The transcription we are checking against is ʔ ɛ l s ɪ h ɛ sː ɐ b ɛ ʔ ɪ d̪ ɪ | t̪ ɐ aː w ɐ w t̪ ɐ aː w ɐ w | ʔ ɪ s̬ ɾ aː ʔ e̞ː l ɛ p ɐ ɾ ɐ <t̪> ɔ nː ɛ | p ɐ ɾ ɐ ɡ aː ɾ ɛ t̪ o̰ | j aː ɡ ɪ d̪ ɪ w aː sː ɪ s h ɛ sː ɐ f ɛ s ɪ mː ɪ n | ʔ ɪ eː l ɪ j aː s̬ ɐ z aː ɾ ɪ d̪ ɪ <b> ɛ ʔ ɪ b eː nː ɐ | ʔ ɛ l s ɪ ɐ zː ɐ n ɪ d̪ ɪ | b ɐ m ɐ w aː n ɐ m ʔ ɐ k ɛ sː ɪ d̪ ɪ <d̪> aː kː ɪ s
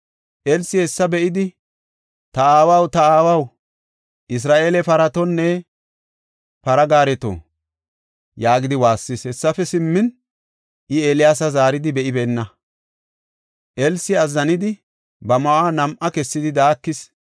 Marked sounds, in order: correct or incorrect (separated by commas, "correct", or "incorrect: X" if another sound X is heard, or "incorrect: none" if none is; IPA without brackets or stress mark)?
correct, correct, correct